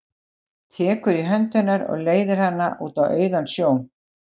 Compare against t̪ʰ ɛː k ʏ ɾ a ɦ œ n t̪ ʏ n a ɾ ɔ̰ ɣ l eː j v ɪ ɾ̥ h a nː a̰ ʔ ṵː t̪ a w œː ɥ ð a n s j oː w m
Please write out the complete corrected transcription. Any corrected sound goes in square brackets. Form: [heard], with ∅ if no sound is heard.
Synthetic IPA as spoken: t̪ʰ ɛː k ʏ ɾ [i] ɦ œ n t̪ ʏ n a ɾ ɔ̰ ɣ l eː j [ð] ɪ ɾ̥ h a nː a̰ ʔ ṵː t̪ a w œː ɥ ð a n s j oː w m